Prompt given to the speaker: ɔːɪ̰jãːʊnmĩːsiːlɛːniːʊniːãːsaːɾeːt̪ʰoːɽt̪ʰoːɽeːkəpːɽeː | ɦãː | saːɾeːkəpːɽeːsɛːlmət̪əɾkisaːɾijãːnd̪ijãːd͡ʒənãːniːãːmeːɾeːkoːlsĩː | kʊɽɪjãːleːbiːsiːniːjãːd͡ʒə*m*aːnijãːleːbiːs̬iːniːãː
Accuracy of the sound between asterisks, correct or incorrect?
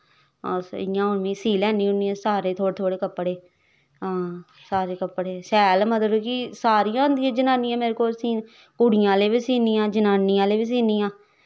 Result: incorrect